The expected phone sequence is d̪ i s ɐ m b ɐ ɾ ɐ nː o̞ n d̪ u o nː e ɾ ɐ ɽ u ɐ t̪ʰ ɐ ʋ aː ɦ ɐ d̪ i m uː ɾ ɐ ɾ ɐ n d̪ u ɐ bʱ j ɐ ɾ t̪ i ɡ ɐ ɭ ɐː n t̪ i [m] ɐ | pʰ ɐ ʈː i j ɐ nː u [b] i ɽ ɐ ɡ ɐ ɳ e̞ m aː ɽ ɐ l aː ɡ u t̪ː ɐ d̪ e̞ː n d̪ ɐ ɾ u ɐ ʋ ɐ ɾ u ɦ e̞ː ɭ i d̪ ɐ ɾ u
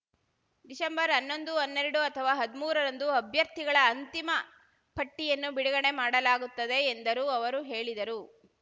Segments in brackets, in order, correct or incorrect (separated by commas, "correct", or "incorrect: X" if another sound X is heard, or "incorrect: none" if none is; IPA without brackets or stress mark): correct, correct